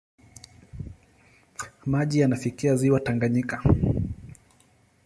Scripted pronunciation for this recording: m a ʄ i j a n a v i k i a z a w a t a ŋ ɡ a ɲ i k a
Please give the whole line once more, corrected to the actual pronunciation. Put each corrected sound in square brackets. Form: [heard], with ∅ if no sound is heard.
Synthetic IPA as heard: m a ʄ i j a n a [f] i k i a z [i] w a t a ŋ ɡ a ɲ i k a